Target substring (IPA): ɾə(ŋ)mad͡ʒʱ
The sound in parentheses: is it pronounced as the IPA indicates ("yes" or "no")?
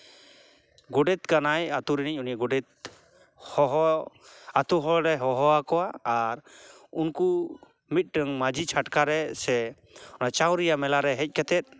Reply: yes